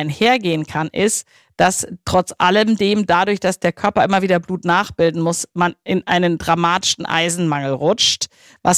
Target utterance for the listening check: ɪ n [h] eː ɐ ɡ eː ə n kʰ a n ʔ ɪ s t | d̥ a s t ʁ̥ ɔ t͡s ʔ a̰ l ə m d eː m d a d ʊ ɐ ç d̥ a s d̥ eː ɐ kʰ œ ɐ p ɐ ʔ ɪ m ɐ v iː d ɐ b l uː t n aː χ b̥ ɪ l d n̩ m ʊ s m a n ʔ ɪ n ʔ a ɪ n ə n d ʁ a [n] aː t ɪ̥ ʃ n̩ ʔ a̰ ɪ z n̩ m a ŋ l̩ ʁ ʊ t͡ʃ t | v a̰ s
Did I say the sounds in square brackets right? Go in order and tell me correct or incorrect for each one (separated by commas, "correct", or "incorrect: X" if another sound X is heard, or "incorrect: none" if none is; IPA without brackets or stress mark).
correct, incorrect: m